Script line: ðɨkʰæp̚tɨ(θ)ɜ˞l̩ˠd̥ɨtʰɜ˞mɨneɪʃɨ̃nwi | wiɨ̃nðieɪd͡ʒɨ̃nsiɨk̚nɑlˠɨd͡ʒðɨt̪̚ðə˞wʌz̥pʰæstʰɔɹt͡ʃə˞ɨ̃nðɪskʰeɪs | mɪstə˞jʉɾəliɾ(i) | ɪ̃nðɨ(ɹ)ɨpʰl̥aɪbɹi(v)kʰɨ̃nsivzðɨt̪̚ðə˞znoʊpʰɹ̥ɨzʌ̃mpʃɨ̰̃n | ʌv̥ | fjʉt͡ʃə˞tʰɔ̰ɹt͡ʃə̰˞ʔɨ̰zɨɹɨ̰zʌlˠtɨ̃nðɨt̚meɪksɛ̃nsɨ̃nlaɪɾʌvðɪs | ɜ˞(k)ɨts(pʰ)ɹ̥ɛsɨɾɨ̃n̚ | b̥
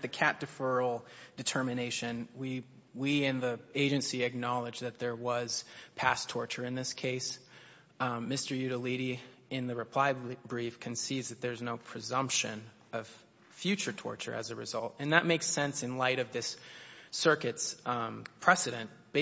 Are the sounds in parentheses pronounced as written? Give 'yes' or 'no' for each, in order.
no, yes, yes, no, yes, yes

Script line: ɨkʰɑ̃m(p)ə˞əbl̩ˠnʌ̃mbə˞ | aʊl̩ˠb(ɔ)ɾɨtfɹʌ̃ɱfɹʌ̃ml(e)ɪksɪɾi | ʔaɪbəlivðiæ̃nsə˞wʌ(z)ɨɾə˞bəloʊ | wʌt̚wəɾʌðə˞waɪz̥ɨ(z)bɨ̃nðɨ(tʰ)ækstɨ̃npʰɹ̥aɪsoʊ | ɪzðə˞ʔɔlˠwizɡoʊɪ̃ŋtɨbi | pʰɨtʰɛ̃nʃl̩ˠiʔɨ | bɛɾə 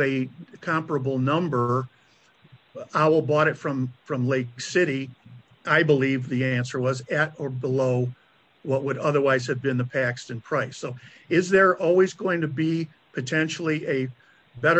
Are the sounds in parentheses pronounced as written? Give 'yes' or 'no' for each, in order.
yes, yes, yes, yes, no, no

